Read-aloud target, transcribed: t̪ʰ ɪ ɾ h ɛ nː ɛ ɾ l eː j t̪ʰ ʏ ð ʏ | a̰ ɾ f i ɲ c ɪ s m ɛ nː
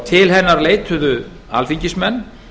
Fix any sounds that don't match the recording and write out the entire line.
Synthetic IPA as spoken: t̪ʰ ɪ l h ɛ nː a ɾ l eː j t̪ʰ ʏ ð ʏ | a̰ l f i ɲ c ɪ s m ɛ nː

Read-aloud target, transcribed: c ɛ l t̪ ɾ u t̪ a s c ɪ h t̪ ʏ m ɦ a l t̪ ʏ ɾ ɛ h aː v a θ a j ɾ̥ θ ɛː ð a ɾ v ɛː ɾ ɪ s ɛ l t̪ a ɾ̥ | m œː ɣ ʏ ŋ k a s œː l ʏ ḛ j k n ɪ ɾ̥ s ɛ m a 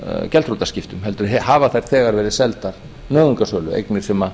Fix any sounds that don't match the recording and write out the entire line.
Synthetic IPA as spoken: c ɛ l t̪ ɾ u t̪ a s c ɪ f t̪ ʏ m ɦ ɛ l t̪ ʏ ɾ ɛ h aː v a θ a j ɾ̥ θ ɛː ɣ a ɾ v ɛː ɾ ɪ s ɛ l t̪ a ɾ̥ | n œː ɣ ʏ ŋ k a s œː l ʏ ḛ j k n ɪ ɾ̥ s ɛ m a

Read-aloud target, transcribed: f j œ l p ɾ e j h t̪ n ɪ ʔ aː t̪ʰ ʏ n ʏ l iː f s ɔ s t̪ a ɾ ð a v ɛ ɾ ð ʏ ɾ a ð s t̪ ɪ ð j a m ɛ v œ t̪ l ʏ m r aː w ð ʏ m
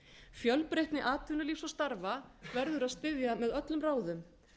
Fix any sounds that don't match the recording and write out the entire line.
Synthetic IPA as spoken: f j œ l p ɾ e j h t̪ n ɪ ʔ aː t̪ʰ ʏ n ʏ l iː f s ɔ s t̪ a ɾ v a v ɛ ɾ ð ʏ ɾ a ð s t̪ ɪ ð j a m ɛ ð œ t̪ l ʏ m r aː w ð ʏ m

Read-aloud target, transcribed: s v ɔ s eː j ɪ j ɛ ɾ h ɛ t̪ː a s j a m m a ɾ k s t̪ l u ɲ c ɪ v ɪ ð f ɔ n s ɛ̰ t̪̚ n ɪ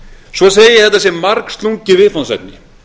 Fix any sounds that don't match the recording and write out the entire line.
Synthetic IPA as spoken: s v ɔ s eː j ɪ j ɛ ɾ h ɛ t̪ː a s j ɛ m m a ɾ k s t̪ l u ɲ c ɪ v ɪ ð f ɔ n s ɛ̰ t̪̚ n ɪ

